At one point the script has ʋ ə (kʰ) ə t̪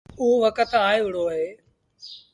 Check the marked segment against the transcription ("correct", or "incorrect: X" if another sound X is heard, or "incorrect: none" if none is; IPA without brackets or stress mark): incorrect: k